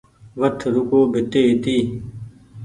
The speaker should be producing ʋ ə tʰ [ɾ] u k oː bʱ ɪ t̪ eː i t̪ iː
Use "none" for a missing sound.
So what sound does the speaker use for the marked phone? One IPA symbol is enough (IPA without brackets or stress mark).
ɾ